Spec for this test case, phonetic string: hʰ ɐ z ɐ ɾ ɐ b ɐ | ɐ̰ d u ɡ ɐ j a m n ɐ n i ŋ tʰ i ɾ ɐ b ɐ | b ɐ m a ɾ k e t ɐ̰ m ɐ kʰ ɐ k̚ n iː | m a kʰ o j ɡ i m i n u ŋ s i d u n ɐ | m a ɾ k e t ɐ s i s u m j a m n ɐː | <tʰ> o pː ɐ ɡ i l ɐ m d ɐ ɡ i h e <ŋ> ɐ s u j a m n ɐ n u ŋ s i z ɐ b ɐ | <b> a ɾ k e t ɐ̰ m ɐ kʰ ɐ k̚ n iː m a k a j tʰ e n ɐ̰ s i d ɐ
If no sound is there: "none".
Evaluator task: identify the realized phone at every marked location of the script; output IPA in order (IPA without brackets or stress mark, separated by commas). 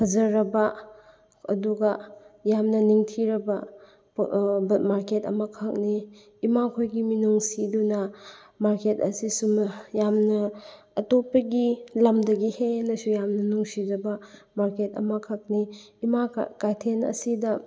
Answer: t, n, m